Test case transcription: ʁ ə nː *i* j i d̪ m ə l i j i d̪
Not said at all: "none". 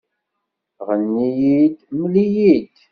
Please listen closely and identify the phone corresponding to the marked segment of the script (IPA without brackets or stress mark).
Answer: i